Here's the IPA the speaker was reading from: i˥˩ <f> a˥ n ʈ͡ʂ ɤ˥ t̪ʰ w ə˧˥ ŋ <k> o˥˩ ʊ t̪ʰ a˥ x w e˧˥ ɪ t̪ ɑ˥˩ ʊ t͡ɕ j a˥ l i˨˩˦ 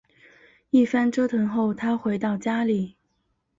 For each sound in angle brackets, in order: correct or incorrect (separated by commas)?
correct, incorrect